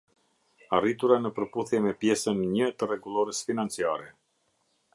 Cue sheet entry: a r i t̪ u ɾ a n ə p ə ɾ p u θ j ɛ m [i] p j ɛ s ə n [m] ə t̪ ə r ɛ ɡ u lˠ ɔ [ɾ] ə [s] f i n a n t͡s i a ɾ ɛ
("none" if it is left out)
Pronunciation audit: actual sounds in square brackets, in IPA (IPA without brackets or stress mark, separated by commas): ɛ, ɲ, ɾ, s